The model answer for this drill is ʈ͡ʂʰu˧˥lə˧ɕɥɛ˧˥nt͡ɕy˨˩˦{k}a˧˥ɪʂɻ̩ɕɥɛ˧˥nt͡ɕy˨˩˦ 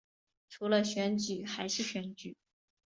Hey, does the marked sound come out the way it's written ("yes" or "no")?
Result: no